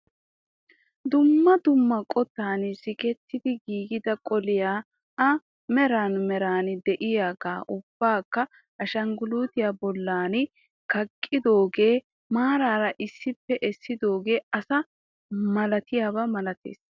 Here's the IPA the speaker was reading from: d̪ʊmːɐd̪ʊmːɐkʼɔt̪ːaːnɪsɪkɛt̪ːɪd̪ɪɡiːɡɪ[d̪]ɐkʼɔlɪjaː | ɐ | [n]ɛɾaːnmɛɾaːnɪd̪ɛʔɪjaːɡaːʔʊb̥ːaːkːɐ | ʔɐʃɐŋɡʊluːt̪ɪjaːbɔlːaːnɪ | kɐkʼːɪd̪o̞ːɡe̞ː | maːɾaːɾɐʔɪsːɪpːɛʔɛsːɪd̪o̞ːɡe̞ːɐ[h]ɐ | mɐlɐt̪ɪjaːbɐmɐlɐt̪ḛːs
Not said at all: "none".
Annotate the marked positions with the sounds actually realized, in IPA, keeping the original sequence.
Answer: d̪, m, s

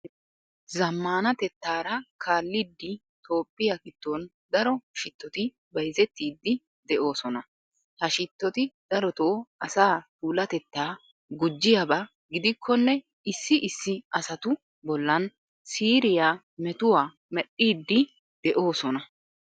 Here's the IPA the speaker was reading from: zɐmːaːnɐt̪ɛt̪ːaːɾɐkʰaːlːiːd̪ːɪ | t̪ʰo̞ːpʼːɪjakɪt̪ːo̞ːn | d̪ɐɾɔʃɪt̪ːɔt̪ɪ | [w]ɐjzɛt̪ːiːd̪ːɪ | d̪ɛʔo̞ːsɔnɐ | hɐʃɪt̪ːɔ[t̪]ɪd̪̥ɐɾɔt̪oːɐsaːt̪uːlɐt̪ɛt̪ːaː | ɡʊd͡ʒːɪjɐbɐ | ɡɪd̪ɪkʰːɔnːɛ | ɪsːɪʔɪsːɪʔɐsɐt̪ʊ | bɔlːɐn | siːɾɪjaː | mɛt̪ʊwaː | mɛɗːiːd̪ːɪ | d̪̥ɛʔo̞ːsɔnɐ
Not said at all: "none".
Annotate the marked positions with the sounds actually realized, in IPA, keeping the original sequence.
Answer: b, t̪

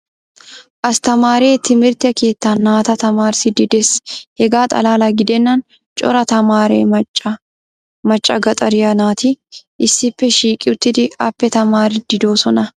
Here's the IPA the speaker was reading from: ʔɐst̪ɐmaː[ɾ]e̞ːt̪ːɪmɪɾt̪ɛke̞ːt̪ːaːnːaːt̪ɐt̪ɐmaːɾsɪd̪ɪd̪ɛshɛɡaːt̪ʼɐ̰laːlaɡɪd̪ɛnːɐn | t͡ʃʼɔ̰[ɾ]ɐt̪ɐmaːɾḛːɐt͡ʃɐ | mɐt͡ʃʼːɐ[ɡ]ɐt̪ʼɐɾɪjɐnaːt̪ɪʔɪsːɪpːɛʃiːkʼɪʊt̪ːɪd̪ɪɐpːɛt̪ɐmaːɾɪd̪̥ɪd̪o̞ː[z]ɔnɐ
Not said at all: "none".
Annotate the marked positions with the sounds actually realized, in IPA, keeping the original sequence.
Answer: ɾ, ɾ, ɡ, s

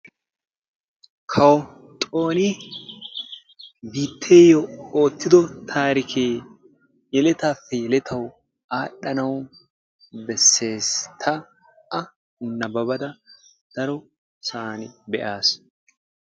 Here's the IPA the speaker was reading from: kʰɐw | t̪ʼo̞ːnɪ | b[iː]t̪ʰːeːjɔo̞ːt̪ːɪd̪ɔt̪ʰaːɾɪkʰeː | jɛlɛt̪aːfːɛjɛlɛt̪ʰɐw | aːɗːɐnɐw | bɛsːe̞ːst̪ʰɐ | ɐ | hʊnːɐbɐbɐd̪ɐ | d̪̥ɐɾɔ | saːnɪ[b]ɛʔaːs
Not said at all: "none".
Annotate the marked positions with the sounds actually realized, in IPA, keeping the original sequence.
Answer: iː, b

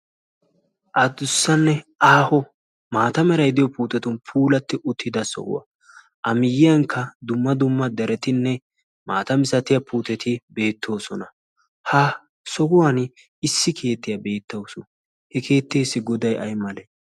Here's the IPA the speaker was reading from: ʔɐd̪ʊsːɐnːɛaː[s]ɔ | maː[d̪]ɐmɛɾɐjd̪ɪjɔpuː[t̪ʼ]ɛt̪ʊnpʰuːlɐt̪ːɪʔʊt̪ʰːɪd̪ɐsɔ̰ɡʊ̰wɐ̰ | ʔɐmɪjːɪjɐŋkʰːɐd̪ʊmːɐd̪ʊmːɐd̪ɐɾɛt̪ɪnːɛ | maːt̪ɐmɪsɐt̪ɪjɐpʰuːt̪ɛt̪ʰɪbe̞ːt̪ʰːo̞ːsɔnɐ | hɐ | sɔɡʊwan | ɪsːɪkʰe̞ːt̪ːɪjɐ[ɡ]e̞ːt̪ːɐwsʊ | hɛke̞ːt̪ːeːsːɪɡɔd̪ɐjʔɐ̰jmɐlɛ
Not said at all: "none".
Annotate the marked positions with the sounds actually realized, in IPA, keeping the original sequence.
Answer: h, t̪, t̪, b

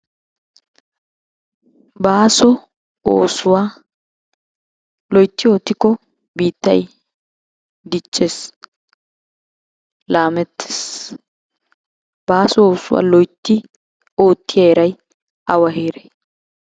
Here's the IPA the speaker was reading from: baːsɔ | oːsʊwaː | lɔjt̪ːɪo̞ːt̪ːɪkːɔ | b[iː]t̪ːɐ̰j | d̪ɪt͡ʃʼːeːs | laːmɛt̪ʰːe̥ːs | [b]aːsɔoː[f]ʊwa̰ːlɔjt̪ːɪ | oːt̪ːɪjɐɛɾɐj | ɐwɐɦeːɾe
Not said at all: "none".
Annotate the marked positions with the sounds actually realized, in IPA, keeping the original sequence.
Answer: iː, b, s

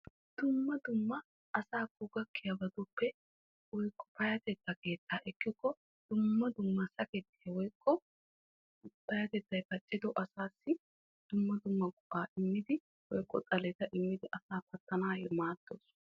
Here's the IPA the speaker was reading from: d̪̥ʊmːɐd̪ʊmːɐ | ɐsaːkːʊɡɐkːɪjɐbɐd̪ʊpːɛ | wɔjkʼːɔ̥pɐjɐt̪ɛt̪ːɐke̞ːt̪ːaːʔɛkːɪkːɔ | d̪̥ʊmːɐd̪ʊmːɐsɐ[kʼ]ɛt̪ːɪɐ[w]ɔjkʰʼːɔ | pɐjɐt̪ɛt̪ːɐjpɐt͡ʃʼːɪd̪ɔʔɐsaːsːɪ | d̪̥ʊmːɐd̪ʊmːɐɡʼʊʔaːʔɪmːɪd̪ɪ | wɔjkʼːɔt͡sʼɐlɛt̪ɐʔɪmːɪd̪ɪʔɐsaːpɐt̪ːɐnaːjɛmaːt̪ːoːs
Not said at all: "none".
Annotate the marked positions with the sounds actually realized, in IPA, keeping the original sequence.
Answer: k, w

